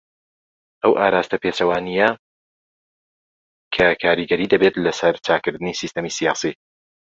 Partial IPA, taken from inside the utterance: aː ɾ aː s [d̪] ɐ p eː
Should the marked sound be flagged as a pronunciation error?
yes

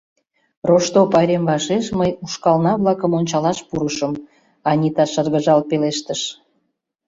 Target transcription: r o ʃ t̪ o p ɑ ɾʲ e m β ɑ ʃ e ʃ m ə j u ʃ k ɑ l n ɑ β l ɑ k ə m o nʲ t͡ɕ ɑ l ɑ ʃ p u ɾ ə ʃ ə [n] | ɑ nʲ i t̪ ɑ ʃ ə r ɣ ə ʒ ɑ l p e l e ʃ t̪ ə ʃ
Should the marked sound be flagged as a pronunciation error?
yes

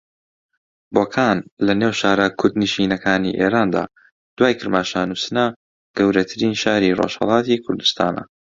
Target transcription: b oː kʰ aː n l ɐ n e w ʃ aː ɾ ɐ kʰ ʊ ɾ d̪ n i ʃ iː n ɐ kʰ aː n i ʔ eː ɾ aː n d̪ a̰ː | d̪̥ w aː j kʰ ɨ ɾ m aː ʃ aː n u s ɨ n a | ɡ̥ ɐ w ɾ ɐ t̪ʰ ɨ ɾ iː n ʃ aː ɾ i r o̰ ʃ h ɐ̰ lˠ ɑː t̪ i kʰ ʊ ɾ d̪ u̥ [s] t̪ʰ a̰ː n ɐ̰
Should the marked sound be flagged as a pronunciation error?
no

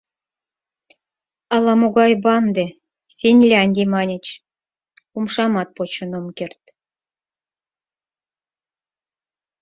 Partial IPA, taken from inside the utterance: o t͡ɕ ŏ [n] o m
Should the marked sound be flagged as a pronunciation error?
no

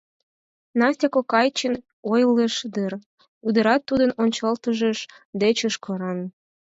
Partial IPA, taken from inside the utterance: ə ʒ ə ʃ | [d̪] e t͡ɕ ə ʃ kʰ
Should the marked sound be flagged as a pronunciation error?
no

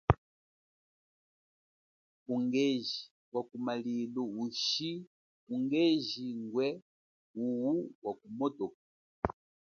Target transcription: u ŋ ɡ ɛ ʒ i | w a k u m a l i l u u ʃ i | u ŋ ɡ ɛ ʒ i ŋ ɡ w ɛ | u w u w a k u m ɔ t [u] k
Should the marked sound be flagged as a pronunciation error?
yes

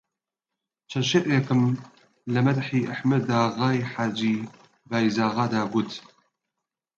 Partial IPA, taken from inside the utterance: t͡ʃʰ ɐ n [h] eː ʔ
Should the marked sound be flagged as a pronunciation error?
yes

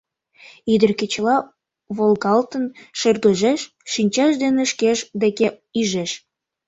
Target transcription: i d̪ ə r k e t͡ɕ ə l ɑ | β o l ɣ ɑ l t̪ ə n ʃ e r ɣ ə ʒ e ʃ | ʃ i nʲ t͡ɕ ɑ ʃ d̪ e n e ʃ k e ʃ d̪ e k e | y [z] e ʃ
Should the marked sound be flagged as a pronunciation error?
yes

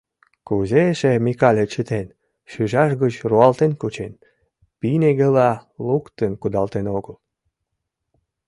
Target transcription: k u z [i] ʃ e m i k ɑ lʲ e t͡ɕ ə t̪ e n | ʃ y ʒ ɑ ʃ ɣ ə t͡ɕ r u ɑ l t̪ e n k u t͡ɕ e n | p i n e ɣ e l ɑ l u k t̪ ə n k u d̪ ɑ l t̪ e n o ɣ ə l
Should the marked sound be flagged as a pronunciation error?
yes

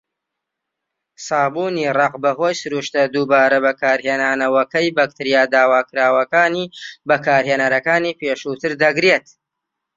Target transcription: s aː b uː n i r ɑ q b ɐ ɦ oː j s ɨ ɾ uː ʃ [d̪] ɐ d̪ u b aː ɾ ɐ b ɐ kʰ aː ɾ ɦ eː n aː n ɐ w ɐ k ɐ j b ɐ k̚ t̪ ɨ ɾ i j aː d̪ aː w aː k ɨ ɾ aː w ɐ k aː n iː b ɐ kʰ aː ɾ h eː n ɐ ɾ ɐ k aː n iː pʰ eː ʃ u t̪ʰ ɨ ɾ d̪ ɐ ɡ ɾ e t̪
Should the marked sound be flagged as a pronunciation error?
yes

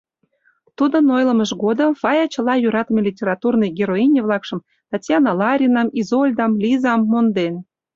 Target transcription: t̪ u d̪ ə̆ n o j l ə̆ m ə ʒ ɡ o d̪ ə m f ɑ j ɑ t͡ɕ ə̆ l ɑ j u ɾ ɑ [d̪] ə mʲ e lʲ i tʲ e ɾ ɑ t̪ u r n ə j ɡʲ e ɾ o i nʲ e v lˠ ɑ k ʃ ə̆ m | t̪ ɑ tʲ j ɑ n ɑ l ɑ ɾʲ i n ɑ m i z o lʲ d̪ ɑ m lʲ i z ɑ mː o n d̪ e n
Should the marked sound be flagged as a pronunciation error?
yes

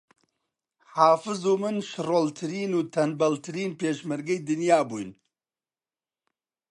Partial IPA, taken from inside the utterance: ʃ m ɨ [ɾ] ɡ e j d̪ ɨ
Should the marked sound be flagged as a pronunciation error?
no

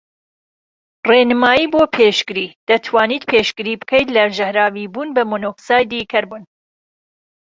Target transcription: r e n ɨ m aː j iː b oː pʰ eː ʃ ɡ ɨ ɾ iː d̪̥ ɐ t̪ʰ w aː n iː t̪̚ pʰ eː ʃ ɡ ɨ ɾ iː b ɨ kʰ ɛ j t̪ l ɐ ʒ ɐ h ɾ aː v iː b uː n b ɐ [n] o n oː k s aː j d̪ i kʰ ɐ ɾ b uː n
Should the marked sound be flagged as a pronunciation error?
yes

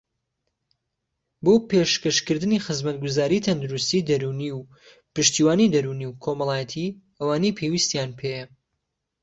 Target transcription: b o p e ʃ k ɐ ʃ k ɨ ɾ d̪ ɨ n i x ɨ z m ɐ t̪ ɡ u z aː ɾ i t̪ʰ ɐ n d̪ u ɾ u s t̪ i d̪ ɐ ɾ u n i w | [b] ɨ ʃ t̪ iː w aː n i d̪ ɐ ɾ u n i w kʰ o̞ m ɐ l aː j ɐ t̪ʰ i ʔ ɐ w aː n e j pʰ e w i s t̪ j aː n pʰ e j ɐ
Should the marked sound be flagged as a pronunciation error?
yes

